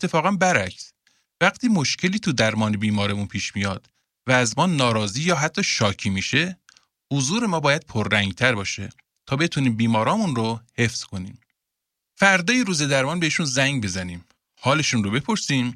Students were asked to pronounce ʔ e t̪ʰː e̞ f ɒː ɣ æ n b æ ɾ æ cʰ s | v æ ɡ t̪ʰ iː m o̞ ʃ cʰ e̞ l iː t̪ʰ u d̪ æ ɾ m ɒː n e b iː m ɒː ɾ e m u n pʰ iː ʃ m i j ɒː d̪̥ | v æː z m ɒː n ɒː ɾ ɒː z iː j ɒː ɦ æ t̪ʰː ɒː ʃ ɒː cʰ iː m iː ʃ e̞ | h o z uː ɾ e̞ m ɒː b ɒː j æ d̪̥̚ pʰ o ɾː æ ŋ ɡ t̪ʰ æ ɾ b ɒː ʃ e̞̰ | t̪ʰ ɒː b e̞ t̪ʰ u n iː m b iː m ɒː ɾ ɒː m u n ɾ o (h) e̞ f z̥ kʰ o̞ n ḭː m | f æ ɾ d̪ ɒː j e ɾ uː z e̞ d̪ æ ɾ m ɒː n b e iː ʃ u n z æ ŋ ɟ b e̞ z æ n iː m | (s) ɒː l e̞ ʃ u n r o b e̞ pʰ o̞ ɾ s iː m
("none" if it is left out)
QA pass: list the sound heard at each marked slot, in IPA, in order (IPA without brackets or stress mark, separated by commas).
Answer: h, h